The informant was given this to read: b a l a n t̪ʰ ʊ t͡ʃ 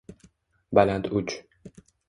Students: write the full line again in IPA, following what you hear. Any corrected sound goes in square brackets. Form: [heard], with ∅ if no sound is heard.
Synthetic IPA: b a l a n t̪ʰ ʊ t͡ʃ

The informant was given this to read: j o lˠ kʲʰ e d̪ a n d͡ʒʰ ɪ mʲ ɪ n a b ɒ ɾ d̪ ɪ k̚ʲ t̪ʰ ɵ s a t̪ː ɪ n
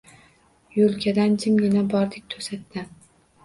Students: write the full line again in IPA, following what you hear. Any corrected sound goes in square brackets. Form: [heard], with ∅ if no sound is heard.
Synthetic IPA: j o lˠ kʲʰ [a] d̪ a n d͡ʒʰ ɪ mʲ ɪ n a b ɒ ɾ d̪ ɪ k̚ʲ t̪ʰ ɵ s a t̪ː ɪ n

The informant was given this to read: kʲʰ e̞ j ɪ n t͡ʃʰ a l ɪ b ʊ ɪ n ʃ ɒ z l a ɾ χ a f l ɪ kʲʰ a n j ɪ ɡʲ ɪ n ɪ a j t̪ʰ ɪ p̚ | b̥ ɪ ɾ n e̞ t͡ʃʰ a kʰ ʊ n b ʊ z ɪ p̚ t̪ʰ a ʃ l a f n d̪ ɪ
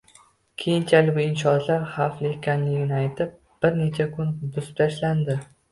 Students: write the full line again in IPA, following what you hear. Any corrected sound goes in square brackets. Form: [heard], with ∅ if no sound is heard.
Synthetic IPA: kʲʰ e̞ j ɪ n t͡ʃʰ a l ɪ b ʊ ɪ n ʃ ɒ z l a ɾ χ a f l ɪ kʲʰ a n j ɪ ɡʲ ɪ n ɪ a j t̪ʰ ɪ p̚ | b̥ ɪ ɾ n e̞ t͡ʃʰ a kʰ ʊ n b ʊ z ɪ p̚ t̪ʰ a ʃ l a [∅] n d̪ ɪ

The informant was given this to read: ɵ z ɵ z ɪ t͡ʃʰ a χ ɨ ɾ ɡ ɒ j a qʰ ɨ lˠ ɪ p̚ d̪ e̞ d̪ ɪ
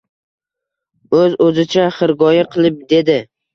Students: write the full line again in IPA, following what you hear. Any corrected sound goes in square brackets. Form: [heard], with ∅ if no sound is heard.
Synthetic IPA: ɵ z ɵ z ɪ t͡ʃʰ a χ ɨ ɾ ɡ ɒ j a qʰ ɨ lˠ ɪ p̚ d̪ e̞ d̪ ɪ

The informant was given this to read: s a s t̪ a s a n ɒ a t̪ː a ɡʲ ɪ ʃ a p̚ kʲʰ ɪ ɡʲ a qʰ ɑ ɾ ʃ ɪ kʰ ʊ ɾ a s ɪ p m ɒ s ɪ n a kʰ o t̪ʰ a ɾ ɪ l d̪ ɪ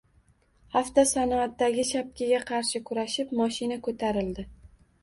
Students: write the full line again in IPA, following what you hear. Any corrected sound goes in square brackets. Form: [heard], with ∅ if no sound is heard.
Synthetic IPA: [h] a [f] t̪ a s a n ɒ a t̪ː a ɡʲ ɪ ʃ a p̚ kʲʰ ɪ ɡʲ a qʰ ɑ ɾ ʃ ɪ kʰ ʊ ɾ a [ʃ] ɪ p m ɒ [ʃ] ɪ n a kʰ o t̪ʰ a ɾ ɪ l d̪ ɪ

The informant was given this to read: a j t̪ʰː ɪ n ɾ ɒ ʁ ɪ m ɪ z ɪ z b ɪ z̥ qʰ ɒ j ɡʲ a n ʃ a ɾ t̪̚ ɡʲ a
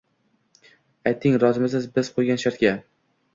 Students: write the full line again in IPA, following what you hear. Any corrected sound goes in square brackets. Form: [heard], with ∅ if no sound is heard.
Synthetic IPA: a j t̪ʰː ɪ [ŋ] ɾ ɒ [z] ɪ m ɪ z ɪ z b ɪ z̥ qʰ [o] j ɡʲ a n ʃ a ɾ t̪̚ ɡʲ a

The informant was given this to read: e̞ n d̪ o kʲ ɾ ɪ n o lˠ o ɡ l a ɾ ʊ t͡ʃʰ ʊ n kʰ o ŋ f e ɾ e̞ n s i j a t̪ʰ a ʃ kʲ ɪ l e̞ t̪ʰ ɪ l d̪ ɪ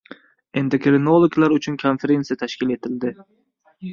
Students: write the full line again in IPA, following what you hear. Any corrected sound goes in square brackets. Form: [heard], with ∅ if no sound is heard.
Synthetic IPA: e̞ n d̪ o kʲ ɾ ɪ n o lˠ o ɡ l a ɾ ʊ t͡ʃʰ ʊ n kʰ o [n] f e ɾ e̞ n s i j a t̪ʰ a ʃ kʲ ɪ l e̞ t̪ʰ ɪ l d̪ ɪ

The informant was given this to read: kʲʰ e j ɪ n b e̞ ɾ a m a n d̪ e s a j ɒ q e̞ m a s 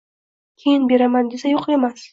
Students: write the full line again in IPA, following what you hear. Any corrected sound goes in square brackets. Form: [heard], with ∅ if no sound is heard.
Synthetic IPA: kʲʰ e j ɪ n b e̞ ɾ a m a n d̪ e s a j [o] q e̞ m a s

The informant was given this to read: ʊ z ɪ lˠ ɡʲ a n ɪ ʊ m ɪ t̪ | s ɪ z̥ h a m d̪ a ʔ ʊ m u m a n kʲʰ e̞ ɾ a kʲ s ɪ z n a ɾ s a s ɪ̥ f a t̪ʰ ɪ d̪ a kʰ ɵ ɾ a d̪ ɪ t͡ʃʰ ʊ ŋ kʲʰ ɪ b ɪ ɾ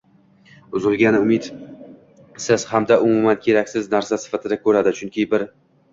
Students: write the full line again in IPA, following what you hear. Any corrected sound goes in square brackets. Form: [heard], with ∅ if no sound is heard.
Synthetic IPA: ʊ z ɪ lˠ ɡʲ a n ɪ ʊ m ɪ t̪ | s ɪ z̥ h a m d̪ a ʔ ʊ m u m a n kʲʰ e̞ ɾ a kʲ s ɪ z n a ɾ s a s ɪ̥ f a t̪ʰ ɪ d̪ a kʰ ɵ ɾ a d̪ ɪ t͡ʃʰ ʊ ŋ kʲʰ ɪ b ɪ ɾ

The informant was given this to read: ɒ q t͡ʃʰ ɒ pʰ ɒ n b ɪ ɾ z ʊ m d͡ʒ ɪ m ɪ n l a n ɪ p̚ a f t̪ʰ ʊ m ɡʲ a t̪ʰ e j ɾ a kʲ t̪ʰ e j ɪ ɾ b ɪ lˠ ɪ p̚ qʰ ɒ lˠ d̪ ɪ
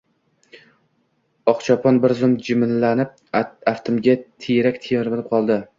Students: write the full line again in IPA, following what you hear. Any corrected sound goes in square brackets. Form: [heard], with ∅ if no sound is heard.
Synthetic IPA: ɒ q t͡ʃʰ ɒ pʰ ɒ n b ɪ ɾ z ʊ m d͡ʒ ɪ m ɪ n l a n ɪ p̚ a f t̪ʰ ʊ m ɡʲ a t̪ʰ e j ɾ a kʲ t̪ʰ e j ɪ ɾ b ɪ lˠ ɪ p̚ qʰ ɒ lˠ d̪ ɪ

